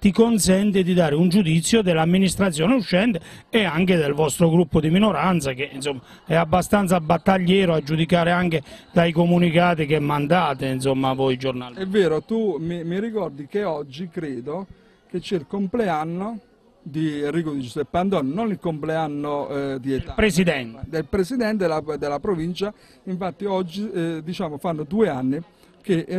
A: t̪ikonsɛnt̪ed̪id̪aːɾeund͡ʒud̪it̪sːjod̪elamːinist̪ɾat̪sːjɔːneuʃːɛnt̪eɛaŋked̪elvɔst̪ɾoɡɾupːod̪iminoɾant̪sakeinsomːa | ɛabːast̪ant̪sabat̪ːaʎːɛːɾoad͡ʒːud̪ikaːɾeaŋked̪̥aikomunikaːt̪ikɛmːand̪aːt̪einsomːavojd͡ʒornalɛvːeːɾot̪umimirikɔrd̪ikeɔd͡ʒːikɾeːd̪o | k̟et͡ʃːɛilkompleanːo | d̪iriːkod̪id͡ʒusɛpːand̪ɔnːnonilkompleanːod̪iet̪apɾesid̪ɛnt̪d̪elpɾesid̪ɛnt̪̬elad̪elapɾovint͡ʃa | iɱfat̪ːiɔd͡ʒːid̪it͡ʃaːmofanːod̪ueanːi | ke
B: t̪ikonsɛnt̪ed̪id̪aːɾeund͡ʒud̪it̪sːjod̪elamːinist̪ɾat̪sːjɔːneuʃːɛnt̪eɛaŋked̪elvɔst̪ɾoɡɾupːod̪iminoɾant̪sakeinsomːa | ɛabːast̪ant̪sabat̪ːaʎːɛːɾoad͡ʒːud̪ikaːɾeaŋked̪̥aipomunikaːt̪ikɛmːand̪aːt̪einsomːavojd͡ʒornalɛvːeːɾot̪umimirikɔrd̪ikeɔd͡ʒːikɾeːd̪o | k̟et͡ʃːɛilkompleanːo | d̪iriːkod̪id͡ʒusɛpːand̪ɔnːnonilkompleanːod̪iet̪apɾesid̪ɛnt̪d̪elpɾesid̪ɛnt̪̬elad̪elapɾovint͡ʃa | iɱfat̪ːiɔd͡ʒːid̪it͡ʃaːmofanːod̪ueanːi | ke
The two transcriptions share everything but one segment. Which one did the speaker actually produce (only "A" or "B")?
A